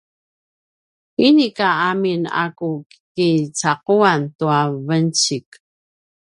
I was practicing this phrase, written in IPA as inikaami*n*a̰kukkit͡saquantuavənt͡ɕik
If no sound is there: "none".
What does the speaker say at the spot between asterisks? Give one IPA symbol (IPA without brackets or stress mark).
n